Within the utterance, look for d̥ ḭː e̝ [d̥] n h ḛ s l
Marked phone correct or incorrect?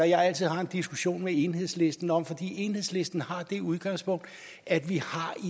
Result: incorrect